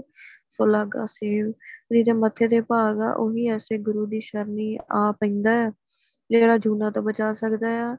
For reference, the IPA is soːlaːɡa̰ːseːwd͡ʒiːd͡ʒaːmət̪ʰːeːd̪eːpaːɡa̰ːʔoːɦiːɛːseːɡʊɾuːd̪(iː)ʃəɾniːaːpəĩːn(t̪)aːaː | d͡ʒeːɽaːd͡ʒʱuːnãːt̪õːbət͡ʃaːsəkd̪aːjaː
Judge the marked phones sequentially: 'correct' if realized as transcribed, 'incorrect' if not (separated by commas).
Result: correct, incorrect